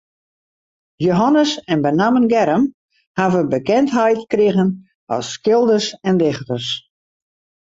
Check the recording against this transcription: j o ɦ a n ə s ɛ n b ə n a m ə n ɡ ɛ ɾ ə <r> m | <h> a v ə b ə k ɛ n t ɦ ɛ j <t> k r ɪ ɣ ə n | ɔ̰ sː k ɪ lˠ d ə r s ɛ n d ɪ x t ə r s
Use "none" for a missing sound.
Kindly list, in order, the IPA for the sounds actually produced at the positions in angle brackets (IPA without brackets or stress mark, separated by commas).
none, h, t